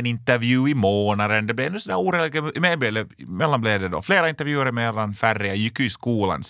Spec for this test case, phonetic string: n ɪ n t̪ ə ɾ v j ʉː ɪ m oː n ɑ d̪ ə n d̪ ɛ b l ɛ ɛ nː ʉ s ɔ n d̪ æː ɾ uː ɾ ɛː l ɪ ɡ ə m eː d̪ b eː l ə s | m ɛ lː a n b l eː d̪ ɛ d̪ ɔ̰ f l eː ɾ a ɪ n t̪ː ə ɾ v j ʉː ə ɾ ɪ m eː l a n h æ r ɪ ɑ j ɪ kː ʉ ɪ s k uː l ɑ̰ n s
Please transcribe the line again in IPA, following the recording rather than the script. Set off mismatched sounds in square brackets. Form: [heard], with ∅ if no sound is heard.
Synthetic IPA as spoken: n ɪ n t̪ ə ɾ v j ʉː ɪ m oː n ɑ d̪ ə n d̪ ɛ b l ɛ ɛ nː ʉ s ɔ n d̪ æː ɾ uː ɾ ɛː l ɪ ɡ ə m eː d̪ b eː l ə [∅] | m ɛ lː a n b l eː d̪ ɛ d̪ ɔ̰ f l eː ɾ a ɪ n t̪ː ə ɾ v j ʉː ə ɾ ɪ m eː l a n [f] æ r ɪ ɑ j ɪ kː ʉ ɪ s k uː l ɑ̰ n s